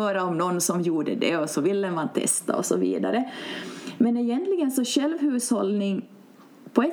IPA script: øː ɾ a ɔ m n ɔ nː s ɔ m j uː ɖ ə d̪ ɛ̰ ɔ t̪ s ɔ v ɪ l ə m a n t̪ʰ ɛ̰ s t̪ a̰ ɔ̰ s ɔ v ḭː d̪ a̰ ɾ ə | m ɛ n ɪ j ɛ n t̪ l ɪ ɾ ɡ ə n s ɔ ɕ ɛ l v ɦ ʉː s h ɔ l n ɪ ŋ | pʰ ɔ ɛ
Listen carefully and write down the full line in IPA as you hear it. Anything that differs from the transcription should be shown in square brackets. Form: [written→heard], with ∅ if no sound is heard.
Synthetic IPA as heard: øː ɾ a ɔ m n ɔ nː s ɔ m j uː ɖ ə d̪ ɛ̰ ɔ [t̪→∅] s ɔ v ɪ [l→lː] ə m a n t̪ʰ ɛ̰ s t̪ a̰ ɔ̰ s ɔ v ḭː d̪ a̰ ɾ ə | m ɛ n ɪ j ɛ n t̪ l ɪ [ɾ→∅] ɡ ə n s ɔ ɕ ɛ l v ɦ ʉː s h ɔ l n ɪ ŋ | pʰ ɔ ɛ